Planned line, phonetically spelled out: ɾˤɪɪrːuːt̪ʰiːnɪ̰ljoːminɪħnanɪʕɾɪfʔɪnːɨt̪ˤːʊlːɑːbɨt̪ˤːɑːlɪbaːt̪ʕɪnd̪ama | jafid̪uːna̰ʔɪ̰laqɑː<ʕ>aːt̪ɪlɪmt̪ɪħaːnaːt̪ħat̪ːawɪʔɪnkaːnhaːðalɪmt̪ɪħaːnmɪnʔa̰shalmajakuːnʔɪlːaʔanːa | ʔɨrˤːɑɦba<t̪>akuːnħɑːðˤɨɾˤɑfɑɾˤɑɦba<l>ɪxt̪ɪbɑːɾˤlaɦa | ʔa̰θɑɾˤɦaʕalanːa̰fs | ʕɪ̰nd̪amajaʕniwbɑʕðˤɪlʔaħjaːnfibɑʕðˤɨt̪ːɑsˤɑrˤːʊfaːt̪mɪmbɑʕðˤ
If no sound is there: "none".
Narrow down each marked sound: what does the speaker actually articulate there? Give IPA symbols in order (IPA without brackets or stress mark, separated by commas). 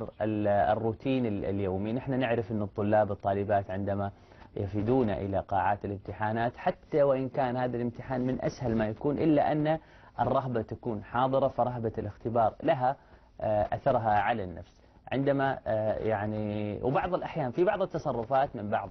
ʕ, t̪, l